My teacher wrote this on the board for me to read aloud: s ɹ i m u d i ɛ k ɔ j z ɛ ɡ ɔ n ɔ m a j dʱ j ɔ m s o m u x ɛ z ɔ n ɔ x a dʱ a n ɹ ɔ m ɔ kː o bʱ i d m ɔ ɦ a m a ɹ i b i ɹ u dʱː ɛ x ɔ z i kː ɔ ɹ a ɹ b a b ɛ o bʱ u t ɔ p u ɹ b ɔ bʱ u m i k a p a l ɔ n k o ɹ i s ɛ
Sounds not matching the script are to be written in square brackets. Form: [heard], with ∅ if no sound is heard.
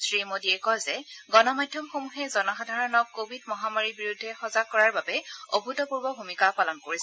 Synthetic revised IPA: s ɹ i m [o] d i ɛ k ɔ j z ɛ ɡ ɔ n ɔ m a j dʱ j ɔ m [x] o m u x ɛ z ɔ n ɔ x a dʱ a [∅] ɹ ɔ [n] ɔ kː o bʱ i d m ɔ ɦ a m a ɹ i b i ɹ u dʱː ɛ x ɔ z [a] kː ɔ ɹ a ɹ b a b ɛ o bʱ u t ɔ p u ɹ b ɔ bʱ u m i k a p a l ɔ n k o ɹ i s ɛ